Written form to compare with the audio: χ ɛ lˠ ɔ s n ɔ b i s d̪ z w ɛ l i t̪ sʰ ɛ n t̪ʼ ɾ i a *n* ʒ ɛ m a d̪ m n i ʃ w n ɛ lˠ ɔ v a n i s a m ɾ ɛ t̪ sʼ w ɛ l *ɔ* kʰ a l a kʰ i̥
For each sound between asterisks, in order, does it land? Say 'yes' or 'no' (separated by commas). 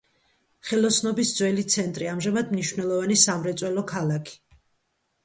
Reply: no, yes